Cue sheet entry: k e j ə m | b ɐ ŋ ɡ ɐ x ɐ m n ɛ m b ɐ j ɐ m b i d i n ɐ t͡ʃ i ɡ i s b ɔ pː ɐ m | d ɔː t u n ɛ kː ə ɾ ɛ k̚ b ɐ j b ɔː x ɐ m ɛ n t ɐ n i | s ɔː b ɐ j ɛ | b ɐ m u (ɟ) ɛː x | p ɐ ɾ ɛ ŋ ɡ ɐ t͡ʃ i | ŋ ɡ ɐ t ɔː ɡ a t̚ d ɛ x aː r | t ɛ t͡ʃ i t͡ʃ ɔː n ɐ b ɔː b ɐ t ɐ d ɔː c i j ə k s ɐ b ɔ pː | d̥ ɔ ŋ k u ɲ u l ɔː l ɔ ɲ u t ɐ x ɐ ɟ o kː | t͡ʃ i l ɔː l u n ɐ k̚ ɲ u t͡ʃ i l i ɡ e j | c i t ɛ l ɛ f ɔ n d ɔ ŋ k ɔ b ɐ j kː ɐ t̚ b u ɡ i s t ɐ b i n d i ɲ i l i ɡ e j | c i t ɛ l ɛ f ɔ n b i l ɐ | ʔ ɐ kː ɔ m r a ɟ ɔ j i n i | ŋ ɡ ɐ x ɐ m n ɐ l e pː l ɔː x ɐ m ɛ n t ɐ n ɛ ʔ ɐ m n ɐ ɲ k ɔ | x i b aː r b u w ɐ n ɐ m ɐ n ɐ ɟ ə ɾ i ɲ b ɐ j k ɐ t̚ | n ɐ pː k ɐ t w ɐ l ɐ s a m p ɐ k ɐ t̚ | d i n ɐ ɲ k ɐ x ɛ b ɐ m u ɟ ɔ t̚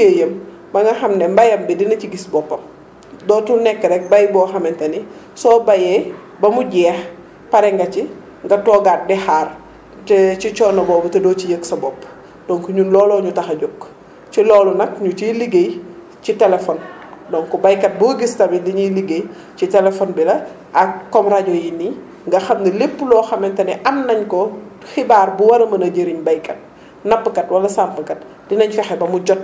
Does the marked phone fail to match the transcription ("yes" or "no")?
no